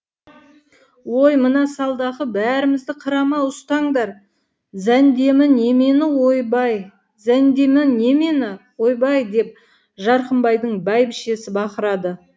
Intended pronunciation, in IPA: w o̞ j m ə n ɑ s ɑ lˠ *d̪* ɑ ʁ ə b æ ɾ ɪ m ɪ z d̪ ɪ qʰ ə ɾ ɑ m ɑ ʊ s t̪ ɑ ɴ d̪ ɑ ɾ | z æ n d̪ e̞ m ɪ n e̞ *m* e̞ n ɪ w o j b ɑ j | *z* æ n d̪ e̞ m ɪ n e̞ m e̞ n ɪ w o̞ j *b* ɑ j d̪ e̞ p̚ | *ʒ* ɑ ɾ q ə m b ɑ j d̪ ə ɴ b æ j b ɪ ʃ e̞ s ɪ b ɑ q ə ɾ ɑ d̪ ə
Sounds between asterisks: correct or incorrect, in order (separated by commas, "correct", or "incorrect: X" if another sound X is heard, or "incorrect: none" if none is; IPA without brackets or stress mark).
correct, correct, correct, correct, correct